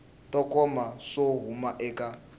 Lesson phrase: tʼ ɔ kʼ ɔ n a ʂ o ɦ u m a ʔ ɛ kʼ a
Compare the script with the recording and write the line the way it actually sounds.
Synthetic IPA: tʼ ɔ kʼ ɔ m a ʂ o ɦ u m a ʔ ɛ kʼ a